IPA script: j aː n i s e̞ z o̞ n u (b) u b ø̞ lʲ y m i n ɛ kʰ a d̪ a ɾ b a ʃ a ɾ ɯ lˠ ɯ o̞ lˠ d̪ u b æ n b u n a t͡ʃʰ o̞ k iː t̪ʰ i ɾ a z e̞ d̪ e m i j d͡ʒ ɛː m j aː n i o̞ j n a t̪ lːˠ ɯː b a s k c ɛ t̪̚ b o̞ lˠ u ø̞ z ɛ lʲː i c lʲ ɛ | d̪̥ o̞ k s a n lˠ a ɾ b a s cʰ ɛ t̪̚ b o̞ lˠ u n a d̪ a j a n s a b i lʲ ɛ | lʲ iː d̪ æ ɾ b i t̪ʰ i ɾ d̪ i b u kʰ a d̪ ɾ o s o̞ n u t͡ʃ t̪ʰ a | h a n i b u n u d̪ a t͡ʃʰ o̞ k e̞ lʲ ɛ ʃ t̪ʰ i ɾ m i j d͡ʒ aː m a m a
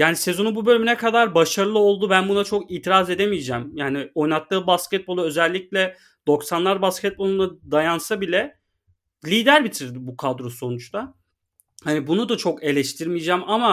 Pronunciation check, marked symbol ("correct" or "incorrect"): correct